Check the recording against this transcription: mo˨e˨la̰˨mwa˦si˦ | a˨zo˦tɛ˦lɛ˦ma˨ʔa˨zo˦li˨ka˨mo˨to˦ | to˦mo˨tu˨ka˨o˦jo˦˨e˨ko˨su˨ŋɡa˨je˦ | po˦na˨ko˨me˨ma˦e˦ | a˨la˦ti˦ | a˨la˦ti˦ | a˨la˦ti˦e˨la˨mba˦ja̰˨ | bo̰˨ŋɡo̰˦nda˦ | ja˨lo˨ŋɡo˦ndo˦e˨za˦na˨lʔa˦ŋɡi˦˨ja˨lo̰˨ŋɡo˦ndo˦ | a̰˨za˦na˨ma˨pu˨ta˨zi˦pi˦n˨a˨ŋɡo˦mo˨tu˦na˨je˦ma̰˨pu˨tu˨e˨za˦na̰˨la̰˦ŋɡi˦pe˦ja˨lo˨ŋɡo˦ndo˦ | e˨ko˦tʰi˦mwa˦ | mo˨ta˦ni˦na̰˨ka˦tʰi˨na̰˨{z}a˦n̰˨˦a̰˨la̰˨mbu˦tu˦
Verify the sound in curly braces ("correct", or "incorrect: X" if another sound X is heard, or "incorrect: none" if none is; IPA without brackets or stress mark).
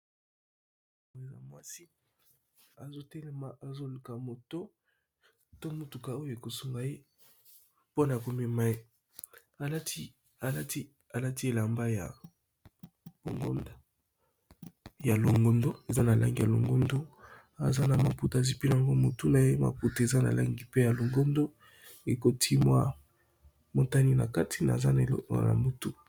correct